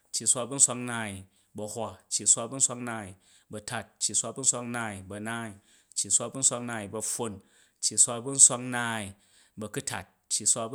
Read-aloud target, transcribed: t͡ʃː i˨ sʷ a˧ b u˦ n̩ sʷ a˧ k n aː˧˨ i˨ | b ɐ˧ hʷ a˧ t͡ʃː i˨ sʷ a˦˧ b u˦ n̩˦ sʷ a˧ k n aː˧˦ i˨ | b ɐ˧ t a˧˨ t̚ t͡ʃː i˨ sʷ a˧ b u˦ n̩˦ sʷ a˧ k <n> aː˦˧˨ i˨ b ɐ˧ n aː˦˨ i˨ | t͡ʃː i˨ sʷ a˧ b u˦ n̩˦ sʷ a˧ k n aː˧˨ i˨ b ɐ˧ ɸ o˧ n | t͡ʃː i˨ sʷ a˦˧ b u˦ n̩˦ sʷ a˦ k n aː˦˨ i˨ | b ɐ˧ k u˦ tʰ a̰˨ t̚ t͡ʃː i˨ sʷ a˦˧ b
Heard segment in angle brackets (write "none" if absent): n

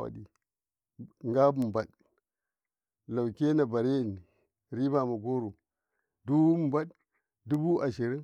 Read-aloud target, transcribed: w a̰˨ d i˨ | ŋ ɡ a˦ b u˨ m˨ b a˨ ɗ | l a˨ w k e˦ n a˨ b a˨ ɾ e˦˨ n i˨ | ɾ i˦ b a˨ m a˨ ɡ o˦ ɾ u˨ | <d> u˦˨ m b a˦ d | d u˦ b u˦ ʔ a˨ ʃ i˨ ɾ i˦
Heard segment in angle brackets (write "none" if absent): d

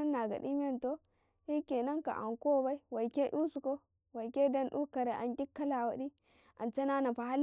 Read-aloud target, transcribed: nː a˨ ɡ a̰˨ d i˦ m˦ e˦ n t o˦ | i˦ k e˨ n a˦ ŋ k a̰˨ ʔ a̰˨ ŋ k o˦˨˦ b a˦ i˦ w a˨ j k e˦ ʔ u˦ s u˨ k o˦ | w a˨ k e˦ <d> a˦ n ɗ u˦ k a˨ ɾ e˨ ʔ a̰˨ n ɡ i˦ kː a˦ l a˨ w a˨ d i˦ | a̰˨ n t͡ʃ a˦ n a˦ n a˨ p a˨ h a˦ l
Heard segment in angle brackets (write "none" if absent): d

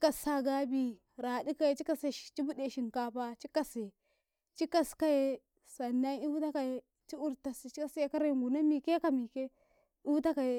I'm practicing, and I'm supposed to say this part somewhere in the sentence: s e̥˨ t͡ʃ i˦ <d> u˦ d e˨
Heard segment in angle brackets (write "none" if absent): b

